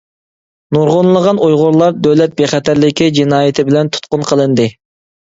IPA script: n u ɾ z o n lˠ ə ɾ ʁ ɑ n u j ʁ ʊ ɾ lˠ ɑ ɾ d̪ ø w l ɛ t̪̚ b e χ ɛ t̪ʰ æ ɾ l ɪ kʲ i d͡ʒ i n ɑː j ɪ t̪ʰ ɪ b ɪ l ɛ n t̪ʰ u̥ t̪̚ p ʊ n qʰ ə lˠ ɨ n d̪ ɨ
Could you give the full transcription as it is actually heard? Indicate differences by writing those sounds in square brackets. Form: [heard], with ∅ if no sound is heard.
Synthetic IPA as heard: n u ɾ [ʁ] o n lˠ ə [∅] ʁ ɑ n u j ʁ ʊ ɾ lˠ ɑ ɾ d̪ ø w l ɛ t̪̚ b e χ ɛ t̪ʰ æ ɾ l ɪ kʲ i d͡ʒ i n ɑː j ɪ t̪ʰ ɪ b ɪ l ɛ n t̪ʰ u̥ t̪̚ [q] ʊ n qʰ ə lˠ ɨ n d̪ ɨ